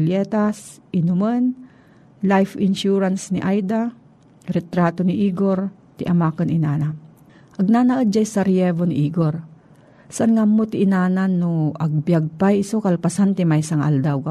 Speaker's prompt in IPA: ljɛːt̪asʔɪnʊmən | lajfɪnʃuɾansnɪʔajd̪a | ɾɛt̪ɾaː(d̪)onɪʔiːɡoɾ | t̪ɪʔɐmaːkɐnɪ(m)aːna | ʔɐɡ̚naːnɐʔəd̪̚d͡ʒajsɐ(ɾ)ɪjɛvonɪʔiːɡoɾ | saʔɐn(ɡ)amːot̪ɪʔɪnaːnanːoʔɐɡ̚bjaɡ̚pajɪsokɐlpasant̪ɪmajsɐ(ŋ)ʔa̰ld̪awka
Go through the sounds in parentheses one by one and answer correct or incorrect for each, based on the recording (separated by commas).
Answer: incorrect, incorrect, correct, incorrect, correct